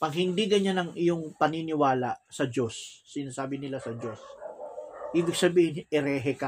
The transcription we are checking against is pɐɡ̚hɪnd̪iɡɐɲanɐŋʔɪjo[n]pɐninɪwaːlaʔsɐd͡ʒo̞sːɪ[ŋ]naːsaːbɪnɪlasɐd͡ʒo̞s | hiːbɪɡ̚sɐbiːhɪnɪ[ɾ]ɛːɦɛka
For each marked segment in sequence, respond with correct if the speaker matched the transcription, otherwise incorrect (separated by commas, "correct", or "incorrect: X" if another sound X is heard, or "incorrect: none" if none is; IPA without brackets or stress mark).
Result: incorrect: ŋ, incorrect: none, correct